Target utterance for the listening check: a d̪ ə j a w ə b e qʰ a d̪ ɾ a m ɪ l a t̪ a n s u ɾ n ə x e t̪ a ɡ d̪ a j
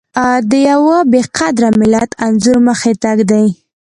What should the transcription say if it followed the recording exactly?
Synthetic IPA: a d̪ ə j a w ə b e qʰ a d̪ ɾ a m ɪ l a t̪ a n z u ɾ m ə x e t̪ a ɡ d̪ a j